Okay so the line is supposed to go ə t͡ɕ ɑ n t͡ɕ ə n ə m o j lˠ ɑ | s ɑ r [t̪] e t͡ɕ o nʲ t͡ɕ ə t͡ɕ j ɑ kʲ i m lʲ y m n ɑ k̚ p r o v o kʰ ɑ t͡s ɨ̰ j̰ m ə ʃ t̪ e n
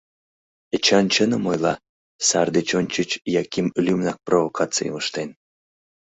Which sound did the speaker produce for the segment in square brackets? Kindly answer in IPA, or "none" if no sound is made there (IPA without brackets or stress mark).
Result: d̪